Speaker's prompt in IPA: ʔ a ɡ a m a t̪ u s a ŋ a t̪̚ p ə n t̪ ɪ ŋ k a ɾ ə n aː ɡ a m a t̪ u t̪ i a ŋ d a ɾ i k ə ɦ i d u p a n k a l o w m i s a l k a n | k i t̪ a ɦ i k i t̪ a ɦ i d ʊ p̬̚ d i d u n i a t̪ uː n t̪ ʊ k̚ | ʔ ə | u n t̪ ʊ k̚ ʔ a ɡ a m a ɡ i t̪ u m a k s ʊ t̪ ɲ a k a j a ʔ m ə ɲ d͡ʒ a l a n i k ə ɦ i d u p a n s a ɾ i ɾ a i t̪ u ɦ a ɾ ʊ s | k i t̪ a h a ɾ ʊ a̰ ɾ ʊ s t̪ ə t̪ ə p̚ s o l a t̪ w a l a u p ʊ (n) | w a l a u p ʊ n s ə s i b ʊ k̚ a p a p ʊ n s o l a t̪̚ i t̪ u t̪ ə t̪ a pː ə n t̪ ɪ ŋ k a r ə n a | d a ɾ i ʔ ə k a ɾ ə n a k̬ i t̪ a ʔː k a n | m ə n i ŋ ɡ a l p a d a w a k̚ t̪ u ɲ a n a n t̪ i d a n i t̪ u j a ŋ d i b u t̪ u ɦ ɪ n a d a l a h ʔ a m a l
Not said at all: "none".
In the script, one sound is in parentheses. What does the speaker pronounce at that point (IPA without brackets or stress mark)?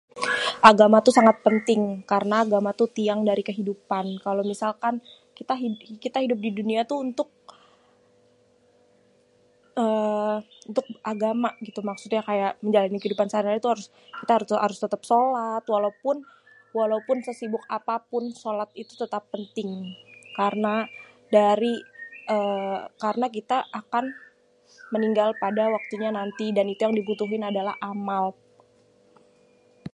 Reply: n